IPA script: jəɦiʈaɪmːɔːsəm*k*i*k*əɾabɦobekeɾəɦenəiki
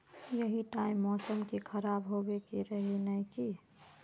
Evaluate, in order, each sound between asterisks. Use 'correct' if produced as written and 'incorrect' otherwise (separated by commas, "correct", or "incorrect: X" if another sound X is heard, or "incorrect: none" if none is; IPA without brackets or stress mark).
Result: correct, incorrect: kʰ